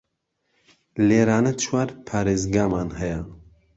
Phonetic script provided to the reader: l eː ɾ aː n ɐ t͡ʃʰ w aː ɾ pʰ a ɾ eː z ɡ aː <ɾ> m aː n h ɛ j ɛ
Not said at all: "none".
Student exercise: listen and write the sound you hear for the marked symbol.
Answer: none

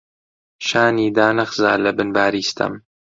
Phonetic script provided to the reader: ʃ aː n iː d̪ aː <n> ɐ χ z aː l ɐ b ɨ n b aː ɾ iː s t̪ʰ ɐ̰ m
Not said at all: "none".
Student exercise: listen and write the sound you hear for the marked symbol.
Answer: n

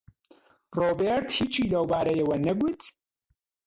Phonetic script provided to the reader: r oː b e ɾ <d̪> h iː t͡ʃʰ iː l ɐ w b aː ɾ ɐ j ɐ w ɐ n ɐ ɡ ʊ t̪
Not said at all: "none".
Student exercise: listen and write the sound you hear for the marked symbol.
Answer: t̪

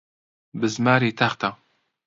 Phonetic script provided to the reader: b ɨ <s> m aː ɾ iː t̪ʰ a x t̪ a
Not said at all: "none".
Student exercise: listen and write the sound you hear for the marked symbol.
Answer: z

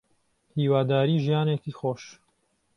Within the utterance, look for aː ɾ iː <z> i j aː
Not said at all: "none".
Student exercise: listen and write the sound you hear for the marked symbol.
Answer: ʒ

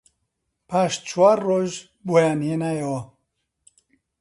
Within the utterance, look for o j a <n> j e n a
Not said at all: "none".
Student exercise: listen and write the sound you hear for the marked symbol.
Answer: n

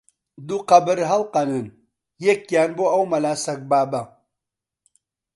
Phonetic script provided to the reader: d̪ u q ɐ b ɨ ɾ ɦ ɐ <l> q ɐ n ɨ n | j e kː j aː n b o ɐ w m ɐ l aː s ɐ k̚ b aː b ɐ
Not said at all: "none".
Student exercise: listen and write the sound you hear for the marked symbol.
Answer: l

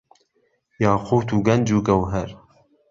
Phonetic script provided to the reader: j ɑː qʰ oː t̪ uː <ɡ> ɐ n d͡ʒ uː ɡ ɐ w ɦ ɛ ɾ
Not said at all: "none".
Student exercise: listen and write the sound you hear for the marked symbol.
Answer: ɡ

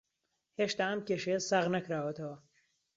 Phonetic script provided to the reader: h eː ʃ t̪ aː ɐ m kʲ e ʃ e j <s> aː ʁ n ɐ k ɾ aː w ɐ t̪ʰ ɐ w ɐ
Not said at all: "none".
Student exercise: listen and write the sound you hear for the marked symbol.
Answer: s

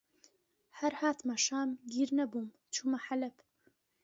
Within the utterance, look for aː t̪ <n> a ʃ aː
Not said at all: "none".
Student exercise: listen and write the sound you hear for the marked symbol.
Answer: m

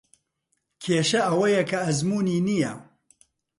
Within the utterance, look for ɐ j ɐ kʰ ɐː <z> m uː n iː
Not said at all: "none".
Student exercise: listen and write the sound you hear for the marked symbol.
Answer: z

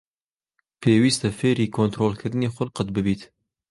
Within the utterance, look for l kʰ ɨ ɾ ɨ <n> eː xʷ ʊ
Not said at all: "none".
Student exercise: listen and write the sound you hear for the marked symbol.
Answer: n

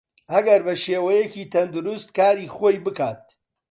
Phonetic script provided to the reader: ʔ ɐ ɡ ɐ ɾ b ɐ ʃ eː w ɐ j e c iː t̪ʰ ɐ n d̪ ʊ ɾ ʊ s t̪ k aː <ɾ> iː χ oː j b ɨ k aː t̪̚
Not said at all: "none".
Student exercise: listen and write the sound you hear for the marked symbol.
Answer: ɾ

